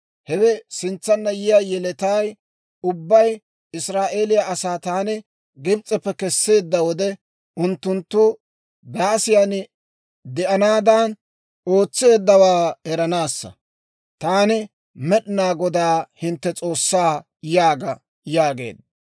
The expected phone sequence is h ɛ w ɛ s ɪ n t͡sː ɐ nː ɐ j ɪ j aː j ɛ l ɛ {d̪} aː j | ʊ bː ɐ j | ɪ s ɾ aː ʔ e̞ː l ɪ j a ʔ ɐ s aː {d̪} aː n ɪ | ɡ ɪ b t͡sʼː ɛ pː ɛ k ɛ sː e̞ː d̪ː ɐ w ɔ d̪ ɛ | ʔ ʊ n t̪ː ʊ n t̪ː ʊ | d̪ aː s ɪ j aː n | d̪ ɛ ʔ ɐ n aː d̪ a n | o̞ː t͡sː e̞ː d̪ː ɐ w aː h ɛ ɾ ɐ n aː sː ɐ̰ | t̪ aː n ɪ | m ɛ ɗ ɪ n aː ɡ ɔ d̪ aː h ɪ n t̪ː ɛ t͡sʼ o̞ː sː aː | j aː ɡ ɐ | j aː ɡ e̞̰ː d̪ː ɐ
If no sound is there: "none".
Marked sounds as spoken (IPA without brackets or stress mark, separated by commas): t̪, t̪